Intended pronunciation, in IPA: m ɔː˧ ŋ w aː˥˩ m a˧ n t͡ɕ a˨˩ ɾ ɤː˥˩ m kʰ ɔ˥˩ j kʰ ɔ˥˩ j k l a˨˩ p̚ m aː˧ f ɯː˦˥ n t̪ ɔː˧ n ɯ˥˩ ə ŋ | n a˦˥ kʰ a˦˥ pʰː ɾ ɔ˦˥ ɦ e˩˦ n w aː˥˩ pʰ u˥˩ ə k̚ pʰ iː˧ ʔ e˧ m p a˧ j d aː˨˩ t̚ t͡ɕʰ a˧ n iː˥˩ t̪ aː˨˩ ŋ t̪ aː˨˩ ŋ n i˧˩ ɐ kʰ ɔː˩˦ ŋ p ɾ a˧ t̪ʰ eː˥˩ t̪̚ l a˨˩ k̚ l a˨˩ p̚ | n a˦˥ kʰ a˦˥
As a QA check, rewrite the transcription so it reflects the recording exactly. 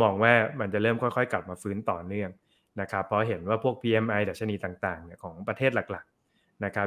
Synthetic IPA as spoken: m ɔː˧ ŋ w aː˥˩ m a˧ n t͡ɕ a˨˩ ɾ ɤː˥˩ m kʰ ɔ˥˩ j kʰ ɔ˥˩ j k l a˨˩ p̚ m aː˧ f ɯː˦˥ n t̪ ɔː˨˩ n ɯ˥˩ ə ŋ | n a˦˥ kʰ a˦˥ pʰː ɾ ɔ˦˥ ɦ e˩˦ n w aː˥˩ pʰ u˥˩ ə k̚ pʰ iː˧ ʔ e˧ m ʔ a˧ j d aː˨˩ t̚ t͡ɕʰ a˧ n iː˧ t̪ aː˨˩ ŋ t̪ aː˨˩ ŋ n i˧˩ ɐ kʰ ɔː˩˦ ŋ p ɾ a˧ t̪ʰ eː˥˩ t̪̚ l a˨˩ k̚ l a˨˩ k̚ | n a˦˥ kʰ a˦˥

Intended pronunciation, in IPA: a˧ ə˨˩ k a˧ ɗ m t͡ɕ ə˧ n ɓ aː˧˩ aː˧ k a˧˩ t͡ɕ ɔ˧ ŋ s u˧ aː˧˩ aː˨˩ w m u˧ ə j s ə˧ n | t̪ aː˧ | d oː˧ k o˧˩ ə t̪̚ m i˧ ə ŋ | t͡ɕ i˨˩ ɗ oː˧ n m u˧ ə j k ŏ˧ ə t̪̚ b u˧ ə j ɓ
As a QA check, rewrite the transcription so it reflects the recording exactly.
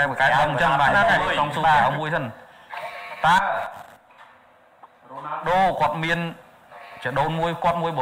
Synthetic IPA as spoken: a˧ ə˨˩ k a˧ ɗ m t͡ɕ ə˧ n ɓ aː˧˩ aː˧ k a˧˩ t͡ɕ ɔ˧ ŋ s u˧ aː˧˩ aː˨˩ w m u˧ ə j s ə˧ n | t̪ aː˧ | ɗ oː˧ k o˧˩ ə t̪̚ m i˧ ə n | t͡ɕ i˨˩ ɗ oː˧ n m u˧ ə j k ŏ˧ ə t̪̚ m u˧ ə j ɓ

